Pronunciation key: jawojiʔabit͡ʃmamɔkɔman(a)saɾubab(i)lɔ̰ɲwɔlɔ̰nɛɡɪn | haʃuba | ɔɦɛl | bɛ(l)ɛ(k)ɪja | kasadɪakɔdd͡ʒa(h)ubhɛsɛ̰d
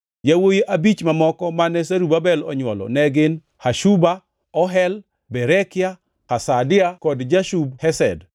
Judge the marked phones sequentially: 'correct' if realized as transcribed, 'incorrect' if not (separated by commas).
incorrect, incorrect, incorrect, correct, incorrect